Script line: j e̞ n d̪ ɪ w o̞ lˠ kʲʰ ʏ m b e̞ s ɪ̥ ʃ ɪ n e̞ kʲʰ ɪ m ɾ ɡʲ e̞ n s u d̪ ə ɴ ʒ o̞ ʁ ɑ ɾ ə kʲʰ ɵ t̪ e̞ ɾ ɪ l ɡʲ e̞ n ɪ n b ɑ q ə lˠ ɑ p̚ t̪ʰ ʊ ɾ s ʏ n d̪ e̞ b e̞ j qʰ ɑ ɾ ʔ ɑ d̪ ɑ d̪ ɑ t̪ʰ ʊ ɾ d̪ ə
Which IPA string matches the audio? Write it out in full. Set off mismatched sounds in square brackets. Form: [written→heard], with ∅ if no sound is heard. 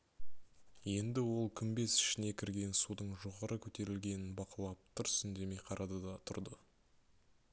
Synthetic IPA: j e̞ n d̪ ɪ w o̞ lˠ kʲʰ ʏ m b e̞ s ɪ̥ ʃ ɪ n e̞ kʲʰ ɪ [m→∅] ɾ ɡʲ e̞ n s u d̪ ə ɴ ʒ o̞ ʁ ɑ ɾ ə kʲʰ ɵ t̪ e̞ ɾ ɪ l ɡʲ e̞ n ɪ n b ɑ q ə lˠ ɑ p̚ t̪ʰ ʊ ɾ s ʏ n d̪ e̞ [b→m] e̞ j qʰ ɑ ɾ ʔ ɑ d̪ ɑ d̪ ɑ t̪ʰ ʊ ɾ d̪ ə